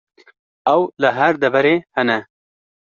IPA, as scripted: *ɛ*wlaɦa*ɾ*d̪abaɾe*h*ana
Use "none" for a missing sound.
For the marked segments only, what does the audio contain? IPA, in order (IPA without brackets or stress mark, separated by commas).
a, ɾ, h